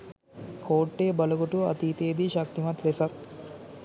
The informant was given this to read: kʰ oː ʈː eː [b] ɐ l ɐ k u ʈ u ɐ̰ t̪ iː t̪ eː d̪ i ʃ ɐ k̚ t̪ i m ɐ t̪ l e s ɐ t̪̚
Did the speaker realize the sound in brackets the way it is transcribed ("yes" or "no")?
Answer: yes